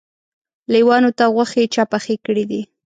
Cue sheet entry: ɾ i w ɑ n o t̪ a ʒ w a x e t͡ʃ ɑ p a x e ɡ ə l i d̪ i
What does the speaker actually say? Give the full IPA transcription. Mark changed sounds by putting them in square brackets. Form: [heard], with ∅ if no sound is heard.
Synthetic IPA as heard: [l] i w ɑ n o t̪ a [ɣ] w a x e t͡ʃ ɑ p a x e [k] ə [ɽ] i d̪ i

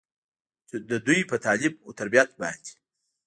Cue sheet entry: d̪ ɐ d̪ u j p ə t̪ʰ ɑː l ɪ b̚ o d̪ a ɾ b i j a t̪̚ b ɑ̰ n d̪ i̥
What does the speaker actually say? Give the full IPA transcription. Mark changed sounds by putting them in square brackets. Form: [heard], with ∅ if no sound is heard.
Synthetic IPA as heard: d̪ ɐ d̪ u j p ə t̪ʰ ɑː l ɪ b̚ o [t̪] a ɾ b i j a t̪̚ b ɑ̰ n d̪ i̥

